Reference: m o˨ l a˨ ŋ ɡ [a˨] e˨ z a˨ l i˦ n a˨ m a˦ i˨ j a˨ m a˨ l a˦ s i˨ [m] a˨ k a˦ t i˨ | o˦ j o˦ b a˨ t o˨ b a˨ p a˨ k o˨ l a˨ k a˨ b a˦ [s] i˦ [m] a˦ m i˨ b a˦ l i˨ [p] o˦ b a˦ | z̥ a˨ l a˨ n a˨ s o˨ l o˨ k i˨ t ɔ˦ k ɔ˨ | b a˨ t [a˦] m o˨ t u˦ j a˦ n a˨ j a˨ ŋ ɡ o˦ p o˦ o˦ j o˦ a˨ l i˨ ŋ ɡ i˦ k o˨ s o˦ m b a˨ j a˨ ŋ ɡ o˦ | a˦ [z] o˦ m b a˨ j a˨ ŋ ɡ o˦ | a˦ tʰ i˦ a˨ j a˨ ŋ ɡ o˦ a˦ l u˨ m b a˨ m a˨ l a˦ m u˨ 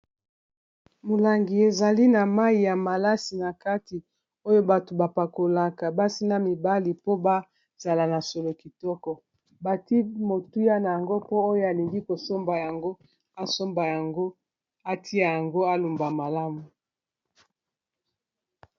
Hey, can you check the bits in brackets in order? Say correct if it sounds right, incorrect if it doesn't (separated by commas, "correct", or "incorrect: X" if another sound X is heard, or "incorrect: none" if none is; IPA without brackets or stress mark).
incorrect: i˨, incorrect: n, correct, incorrect: n, correct, incorrect: i˦, incorrect: s